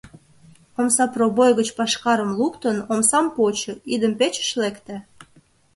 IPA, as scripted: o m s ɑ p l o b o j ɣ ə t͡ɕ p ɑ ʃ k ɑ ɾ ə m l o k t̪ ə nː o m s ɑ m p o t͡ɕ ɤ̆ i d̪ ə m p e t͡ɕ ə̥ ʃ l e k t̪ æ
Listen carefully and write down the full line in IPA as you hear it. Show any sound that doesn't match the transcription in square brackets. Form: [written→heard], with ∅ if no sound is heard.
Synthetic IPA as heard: o m s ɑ p [l→r] o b o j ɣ ə t͡ɕ p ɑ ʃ k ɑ ɾ ə m l [o→u] k t̪ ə [nː→n] o m s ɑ m p o t͡ɕ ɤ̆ i d̪ ə m p e t͡ɕ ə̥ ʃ l e k t̪ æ